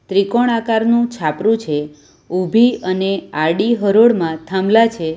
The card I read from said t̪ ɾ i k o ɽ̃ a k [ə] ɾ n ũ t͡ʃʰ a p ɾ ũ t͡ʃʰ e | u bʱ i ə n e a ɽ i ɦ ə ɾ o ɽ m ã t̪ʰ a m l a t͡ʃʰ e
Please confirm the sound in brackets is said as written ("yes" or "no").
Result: no